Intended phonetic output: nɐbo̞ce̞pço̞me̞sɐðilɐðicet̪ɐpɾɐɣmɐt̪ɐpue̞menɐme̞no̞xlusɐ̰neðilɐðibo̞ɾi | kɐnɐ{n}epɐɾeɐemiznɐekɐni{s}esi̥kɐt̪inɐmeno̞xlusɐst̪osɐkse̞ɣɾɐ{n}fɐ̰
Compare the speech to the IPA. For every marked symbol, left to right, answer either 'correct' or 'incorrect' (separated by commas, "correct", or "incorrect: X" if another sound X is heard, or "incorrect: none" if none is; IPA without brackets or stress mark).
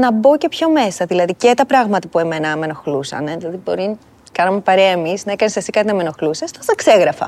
incorrect: m, correct, incorrect: none